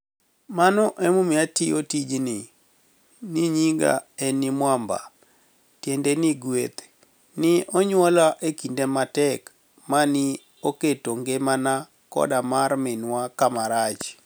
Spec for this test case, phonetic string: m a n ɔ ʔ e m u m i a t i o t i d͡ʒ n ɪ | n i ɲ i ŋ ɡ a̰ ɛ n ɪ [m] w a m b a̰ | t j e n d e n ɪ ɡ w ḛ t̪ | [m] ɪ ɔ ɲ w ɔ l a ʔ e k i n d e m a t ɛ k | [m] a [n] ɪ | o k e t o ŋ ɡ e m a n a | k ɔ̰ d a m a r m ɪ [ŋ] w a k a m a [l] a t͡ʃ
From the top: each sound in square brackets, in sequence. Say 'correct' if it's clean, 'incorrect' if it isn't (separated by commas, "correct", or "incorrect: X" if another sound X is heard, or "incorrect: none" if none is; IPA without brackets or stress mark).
correct, incorrect: n, correct, correct, incorrect: n, incorrect: ɾ